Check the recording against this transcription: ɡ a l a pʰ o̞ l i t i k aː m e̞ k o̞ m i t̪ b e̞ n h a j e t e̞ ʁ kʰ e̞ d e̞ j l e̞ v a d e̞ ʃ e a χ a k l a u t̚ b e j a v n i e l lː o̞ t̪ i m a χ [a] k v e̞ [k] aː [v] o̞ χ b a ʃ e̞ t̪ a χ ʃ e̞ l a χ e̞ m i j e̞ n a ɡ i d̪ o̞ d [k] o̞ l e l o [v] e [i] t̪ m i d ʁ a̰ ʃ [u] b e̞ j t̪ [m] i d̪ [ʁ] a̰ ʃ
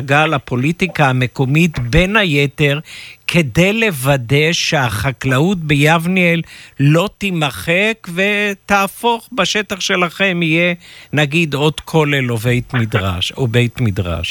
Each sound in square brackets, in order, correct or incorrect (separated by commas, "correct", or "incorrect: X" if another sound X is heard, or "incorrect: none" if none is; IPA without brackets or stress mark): incorrect: e, incorrect: t, incorrect: f, incorrect: kʰ, correct, incorrect: j, incorrect: o, correct, correct